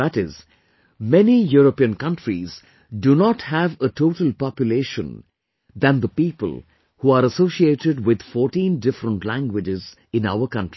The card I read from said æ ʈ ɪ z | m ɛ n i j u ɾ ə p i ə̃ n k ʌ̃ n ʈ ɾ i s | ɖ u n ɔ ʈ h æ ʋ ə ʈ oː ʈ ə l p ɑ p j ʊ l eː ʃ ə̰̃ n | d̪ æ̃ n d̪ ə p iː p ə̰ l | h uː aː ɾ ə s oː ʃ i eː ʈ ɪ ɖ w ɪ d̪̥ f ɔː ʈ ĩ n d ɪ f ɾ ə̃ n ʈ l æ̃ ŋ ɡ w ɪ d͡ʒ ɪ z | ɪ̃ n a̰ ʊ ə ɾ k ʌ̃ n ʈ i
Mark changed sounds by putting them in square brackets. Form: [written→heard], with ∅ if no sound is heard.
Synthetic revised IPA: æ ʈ ɪ z | m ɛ n i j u ɾ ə p i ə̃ n k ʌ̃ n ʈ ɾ i [s→z] | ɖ u n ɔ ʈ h æ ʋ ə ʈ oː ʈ ə l p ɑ p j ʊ l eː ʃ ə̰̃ n | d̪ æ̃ n d̪ ə p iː p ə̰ l | h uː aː ɾ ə s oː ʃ i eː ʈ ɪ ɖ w ɪ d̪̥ f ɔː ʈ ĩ n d ɪ f ɾ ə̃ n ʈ l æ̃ ŋ ɡ w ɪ d͡ʒ ɪ z | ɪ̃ n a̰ ʊ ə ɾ k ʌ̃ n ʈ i